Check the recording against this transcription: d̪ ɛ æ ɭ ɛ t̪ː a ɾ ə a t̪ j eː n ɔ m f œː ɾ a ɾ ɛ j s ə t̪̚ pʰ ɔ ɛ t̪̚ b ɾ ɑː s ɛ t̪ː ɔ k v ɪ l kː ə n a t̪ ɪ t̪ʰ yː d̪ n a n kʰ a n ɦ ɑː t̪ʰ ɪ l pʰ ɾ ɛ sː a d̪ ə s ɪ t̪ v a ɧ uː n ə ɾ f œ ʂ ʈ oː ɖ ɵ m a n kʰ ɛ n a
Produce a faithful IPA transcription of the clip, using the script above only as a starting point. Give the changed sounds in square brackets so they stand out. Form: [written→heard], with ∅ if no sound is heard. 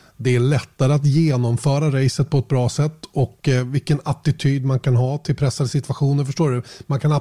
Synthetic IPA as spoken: d̪ ɛ æ ɭ ɛ t̪ː a ɾ ə a t̪ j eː n ɔ m f œː ɾ a ɾ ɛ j s ə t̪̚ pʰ ɔ ɛ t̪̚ b ɾ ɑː s ɛ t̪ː ɔ k v ɪ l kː ə n a t̪ ɪ t̪ʰ yː d̪ [n→m] a n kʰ a n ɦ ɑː t̪ʰ ɪ l pʰ ɾ ɛ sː a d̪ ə s ɪ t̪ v a ɧ uː n ə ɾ f œ ʂ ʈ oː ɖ ɵ m a n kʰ [ɛ→a] n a